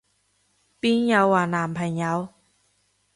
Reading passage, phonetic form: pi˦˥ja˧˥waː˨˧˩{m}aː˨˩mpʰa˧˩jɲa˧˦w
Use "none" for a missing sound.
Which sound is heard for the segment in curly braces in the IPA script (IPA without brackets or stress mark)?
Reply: n